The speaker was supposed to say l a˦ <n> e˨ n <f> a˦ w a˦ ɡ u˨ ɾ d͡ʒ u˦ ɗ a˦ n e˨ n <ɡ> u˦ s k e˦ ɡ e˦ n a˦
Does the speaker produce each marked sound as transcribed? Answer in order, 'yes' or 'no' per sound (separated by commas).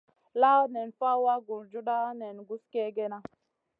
yes, yes, yes